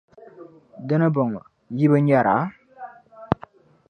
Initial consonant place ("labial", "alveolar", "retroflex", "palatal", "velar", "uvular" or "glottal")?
alveolar